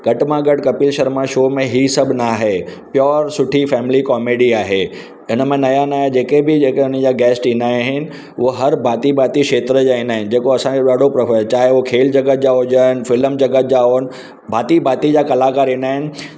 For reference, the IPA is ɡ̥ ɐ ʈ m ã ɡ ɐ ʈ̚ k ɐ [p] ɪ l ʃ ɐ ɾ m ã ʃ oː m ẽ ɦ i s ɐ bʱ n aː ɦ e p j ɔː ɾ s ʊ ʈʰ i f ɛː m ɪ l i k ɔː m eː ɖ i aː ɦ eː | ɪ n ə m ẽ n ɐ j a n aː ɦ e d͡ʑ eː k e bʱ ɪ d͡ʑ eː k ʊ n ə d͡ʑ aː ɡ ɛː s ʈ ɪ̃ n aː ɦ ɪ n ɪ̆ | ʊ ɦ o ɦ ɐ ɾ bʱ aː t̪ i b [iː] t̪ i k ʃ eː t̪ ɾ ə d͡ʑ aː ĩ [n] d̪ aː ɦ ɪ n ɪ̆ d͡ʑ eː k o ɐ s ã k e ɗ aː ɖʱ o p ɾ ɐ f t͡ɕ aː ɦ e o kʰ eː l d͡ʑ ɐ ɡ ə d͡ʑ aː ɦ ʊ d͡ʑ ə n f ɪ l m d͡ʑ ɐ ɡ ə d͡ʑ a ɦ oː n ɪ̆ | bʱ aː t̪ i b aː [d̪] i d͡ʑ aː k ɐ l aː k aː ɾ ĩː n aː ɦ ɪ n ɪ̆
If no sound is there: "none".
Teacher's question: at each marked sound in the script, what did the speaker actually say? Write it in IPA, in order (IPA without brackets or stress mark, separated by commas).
p, aː, n, t̪